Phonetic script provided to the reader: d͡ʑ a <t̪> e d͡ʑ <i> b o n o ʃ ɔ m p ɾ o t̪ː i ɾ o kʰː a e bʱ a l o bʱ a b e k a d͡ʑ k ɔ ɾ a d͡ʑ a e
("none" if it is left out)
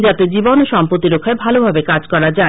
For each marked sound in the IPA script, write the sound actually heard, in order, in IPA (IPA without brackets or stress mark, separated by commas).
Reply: t̪, i